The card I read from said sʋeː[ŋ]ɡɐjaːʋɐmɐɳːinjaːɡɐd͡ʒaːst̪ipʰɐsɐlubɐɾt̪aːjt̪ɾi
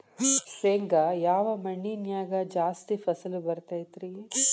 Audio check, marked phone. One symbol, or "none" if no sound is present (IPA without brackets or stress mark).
ŋ